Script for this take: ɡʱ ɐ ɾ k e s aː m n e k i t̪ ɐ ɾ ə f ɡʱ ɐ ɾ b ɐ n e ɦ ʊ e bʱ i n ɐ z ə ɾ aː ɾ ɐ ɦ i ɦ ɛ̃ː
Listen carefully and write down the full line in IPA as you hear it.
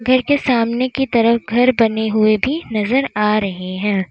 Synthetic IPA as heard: ɡʱ ɐ ɾ k e s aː m n e k i t̪ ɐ ɾ ə f ɡʱ ɐ ɾ b ɐ n e ɦ ʊ e bʱ i n ɐ z ə ɾ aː ɾ ɐ ɦ e ɦ ɛ̃ː